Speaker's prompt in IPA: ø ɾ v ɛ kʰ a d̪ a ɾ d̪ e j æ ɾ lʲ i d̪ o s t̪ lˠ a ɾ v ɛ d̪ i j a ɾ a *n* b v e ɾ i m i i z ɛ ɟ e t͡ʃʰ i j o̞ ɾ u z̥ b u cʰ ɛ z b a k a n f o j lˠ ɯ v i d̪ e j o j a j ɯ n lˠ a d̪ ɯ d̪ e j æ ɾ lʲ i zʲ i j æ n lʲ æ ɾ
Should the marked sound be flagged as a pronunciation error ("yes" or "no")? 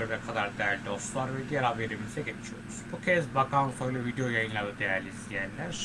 yes